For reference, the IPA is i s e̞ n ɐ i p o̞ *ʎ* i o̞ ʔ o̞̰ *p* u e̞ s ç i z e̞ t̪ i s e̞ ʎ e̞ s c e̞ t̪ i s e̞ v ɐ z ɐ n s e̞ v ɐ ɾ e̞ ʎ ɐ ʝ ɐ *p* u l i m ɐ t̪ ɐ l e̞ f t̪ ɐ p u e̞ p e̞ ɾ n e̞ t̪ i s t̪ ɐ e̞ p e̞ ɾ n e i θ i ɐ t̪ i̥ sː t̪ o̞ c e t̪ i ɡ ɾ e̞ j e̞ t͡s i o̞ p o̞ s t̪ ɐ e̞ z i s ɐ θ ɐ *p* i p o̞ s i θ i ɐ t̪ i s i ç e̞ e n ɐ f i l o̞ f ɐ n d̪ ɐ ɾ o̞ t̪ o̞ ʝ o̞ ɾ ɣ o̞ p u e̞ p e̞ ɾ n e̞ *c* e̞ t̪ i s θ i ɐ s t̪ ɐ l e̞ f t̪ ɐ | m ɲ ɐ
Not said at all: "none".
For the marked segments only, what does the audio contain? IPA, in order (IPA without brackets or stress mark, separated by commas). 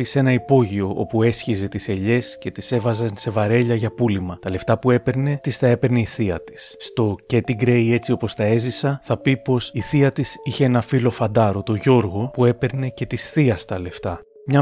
ʝ, p, p, p, c